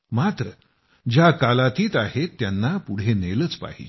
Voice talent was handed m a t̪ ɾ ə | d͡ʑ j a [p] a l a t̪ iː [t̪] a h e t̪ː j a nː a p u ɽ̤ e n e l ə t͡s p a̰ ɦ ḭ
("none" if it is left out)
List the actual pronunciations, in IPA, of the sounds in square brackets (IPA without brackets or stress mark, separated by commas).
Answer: k, t̪